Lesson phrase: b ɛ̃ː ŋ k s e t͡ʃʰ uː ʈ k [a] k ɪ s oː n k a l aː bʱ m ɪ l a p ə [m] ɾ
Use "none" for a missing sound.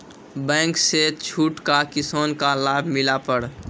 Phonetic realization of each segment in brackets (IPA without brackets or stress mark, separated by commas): a, none